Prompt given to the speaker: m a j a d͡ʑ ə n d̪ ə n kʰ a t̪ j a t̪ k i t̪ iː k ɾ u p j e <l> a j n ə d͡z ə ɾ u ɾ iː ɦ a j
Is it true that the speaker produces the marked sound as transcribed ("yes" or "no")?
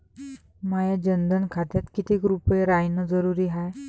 no